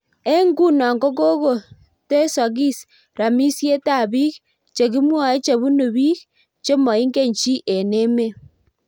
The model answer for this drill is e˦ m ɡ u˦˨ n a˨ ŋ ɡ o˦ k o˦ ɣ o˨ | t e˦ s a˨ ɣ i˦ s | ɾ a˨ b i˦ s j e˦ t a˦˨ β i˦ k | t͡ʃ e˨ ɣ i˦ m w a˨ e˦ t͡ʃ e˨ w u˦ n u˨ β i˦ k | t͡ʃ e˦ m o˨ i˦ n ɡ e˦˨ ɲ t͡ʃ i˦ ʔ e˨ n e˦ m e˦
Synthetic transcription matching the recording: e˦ ŋ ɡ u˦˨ n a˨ ŋ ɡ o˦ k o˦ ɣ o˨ | t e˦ s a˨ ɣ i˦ s | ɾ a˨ m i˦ s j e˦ t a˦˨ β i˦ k | t͡ʃ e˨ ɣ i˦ m w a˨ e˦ t͡ʃ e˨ β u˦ n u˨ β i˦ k | t͡ʃ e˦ m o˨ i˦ ŋ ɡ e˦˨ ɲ t͡ʃ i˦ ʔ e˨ n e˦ m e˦